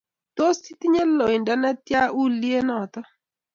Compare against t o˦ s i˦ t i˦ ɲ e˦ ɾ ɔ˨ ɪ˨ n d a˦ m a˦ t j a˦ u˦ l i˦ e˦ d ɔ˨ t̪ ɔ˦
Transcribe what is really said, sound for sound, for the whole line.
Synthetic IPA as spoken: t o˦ s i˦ t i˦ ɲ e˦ l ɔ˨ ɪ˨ n d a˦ n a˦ t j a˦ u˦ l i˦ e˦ n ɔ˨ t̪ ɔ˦

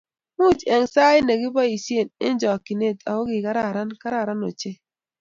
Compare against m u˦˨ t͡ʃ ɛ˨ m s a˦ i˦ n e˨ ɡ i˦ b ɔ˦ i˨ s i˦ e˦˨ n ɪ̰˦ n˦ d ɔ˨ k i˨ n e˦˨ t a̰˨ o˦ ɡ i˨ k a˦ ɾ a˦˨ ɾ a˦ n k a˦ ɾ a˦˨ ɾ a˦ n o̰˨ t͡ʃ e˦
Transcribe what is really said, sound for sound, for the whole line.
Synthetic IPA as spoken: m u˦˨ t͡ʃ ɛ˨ ŋ s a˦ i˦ n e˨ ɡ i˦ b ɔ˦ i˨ s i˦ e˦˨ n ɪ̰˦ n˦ d͡ʒ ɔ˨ k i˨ n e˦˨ t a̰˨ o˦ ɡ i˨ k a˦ ɾ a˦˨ ɾ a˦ n k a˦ ɾ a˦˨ ɾ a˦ n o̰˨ t͡ʃ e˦

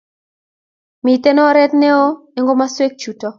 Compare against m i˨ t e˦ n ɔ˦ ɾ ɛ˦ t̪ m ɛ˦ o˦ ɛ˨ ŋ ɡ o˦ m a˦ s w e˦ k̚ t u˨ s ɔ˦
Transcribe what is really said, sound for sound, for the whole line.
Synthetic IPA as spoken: m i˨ t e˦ n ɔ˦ ɾ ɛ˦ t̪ n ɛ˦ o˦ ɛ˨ ŋ ɡ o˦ m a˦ s w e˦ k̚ t͡ʃ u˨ t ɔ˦

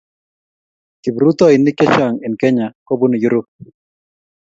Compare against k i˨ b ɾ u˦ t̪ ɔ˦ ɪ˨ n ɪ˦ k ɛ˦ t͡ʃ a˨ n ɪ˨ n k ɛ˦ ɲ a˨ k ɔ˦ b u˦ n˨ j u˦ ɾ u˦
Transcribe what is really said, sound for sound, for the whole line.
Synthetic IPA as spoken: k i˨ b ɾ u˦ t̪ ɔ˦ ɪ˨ n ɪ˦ k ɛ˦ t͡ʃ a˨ ŋ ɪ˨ n k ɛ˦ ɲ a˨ k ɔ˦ b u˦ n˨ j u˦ ɾ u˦

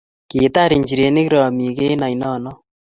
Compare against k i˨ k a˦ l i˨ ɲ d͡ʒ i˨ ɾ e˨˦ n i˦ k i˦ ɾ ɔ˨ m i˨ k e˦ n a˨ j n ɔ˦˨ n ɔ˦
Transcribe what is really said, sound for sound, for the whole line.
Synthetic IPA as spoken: k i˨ t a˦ ɾ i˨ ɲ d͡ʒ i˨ ɾ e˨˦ n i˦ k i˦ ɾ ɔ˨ m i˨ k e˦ n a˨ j n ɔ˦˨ n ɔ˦

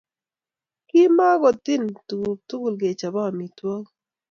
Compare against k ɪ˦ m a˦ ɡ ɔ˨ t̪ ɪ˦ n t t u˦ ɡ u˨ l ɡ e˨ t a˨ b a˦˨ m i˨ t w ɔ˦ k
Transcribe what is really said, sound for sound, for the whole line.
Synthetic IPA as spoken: k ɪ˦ m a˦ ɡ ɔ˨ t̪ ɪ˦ n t t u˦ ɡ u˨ l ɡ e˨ t͡ʃ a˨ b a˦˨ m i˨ t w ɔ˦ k

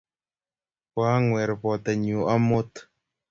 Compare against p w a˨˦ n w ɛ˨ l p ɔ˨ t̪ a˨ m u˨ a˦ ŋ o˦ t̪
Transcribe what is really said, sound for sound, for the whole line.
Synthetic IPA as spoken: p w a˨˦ ŋ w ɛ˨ ɾ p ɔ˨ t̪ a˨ ɲ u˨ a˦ m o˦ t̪

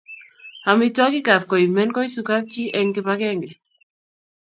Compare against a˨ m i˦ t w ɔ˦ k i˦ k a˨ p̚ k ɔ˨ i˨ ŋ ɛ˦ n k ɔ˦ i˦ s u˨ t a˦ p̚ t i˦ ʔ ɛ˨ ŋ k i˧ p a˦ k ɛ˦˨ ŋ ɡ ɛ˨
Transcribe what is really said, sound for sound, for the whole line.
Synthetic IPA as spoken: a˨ m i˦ t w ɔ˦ k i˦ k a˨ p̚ k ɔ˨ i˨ m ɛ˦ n k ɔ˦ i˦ s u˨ k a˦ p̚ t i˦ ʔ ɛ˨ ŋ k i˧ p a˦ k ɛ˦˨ ŋ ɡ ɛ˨

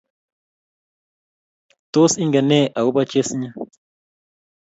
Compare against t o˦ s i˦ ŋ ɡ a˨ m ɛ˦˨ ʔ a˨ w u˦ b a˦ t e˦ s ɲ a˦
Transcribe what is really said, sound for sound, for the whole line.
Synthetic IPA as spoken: t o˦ s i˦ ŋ ɡ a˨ n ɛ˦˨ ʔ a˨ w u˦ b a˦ t͡ʃ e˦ s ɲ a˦

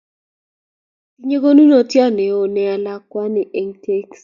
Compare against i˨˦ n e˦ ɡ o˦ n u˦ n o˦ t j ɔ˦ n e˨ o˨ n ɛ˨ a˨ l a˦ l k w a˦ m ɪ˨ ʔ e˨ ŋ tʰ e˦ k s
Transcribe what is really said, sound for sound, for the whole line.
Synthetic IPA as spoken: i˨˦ ɲ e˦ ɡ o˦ n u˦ n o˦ t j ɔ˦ n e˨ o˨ n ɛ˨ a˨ l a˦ k w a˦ n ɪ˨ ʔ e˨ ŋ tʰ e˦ k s

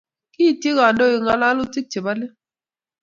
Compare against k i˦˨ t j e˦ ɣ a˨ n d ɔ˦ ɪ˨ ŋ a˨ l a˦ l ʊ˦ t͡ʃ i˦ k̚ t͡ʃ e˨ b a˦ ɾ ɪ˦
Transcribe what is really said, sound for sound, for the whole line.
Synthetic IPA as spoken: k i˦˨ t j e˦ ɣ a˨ n d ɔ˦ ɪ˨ ŋ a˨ l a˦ l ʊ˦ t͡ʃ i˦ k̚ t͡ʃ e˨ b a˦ l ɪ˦

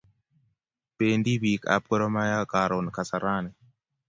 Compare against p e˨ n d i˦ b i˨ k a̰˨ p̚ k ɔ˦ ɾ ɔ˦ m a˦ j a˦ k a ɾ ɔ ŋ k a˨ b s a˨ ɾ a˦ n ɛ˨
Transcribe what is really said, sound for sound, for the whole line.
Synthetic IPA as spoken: p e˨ n d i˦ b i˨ k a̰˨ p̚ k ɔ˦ ɾ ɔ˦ m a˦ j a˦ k a ɾ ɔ n k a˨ s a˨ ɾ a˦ n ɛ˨

